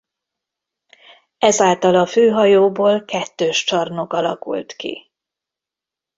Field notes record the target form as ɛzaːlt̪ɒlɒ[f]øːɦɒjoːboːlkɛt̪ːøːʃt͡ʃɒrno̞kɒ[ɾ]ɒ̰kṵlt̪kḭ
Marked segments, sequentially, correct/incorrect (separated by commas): correct, incorrect